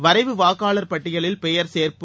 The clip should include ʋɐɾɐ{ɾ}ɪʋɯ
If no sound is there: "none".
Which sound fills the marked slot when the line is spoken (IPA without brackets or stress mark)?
none